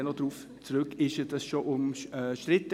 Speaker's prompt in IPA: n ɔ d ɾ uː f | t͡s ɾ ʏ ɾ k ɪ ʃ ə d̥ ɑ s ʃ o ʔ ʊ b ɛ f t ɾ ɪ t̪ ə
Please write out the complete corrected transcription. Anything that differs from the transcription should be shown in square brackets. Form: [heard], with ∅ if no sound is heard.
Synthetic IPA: n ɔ d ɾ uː f | t͡s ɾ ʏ [∅] k ɪ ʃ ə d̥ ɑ s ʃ o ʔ ʊ [m] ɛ [ʃ] t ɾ ɪ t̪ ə